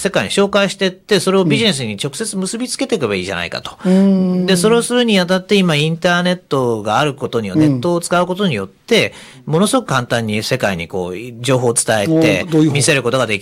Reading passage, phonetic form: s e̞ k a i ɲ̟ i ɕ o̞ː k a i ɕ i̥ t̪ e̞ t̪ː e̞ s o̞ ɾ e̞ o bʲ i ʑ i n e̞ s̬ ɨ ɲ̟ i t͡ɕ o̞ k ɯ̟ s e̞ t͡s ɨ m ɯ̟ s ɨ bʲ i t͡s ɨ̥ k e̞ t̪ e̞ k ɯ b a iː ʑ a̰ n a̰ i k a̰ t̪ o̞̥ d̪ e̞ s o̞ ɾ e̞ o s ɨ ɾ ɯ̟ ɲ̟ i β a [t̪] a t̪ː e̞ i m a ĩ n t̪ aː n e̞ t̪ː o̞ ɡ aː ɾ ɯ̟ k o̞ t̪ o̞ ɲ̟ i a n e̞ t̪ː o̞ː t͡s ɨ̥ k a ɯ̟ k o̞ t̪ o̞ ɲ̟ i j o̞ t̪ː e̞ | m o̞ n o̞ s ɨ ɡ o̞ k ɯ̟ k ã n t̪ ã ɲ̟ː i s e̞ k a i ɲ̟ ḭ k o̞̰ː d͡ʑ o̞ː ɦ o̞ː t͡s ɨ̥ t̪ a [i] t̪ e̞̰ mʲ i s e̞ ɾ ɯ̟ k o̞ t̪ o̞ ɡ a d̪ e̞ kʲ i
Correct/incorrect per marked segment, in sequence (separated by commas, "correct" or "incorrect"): correct, incorrect